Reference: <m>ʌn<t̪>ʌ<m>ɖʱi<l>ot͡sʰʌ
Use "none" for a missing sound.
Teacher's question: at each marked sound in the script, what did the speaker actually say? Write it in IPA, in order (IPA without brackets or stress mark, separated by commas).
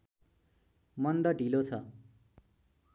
m, d̪, none, l